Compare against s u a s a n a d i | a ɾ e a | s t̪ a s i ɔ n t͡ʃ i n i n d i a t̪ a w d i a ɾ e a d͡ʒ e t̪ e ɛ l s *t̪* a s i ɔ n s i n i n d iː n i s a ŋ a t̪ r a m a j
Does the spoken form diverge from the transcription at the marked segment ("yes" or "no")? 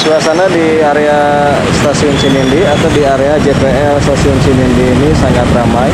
no